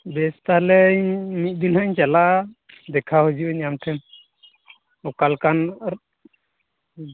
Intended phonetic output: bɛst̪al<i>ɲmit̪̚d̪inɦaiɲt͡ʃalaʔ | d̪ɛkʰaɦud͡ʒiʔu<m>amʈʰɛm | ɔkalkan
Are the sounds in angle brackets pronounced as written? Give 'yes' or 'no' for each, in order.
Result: no, no

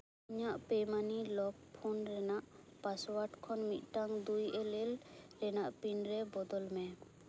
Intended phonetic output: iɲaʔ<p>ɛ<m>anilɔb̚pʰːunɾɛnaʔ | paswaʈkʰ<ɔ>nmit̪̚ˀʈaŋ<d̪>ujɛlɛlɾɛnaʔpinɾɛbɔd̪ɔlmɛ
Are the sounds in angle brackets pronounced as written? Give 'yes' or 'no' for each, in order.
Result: yes, yes, yes, yes

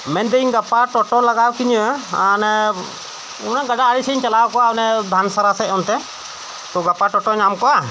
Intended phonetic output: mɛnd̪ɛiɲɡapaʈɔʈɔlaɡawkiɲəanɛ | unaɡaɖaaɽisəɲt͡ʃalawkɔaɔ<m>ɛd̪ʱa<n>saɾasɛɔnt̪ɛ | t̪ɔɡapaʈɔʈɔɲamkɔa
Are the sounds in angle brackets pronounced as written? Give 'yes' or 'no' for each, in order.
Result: no, yes

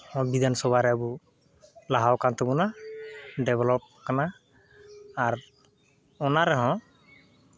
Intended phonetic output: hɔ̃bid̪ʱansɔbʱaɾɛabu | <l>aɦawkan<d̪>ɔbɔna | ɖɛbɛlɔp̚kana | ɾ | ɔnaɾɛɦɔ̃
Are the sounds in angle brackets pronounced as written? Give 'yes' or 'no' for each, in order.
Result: yes, no

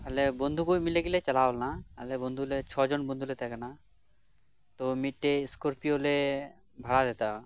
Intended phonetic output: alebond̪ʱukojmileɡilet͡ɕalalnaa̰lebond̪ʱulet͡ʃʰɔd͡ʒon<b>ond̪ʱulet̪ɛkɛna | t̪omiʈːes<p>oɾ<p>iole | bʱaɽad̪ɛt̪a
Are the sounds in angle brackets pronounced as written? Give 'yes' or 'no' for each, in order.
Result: yes, no, yes

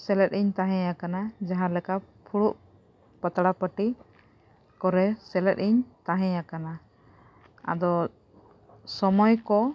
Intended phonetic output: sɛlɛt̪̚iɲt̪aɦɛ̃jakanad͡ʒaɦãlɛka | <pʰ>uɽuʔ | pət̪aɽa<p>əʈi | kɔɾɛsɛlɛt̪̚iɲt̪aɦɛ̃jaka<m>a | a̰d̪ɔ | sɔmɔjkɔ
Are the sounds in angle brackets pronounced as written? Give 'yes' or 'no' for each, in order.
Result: yes, yes, no

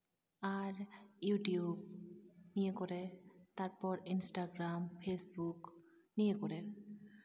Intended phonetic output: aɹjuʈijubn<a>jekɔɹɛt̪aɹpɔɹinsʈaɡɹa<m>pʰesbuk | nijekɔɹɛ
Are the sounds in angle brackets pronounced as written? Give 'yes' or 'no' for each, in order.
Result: no, yes

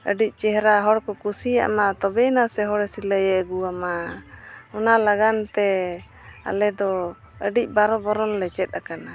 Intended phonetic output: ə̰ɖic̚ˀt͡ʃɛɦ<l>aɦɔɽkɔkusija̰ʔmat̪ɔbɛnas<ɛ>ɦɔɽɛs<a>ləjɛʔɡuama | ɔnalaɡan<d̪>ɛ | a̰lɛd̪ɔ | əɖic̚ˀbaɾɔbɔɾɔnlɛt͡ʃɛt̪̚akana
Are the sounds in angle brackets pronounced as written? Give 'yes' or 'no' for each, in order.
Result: no, yes, no, no

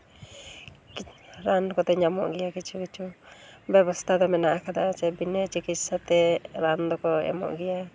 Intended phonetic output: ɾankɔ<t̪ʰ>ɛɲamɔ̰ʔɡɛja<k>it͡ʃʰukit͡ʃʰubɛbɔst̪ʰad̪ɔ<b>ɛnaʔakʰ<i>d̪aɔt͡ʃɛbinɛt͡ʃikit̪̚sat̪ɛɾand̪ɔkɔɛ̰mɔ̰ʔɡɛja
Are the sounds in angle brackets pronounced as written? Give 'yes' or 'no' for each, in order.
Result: no, yes, no, no

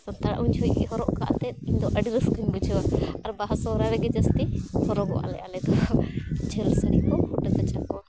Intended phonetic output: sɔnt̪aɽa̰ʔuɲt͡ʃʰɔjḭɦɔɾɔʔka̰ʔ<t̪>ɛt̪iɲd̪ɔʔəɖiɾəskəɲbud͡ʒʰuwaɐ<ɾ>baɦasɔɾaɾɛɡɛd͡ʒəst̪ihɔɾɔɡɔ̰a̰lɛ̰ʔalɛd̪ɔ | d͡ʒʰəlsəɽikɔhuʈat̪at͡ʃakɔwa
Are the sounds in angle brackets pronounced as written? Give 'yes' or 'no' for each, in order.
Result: yes, yes

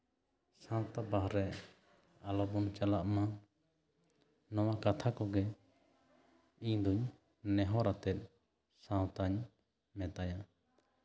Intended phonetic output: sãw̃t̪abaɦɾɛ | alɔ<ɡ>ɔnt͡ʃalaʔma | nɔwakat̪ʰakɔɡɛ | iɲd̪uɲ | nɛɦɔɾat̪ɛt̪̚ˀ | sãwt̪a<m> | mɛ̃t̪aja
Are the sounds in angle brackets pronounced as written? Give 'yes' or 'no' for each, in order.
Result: no, no

